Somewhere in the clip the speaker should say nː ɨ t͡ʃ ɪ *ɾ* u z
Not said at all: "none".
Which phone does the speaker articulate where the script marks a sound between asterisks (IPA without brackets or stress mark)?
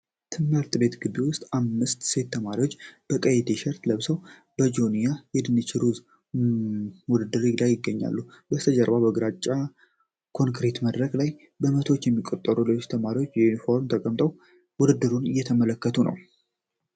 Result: ɾ